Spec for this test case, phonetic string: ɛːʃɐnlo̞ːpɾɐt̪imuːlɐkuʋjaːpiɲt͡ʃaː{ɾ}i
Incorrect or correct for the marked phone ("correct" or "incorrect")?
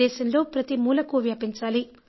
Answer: incorrect